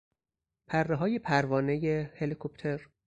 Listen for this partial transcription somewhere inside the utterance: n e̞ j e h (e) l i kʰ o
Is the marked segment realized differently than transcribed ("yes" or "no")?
no